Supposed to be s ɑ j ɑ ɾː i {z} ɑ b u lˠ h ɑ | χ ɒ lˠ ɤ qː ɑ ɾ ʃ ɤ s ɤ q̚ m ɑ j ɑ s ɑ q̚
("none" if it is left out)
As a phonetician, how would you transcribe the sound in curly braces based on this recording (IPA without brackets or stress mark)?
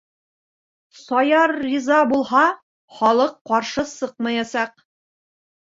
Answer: z